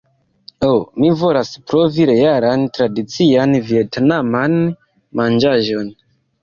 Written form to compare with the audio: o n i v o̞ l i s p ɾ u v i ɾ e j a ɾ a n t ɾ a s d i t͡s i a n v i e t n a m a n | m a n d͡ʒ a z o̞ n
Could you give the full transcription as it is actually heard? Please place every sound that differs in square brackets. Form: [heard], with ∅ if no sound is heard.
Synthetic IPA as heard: o [m] i v o̞ l [a] s p ɾ [o] v i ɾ e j a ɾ a n t ɾ a [∅] d i t͡s i a n v i e t n a m a n | m a n d͡ʒ a [ʒ] o̞ n